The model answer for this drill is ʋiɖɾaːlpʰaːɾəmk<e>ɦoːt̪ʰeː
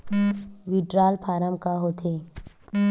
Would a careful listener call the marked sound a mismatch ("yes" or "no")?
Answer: yes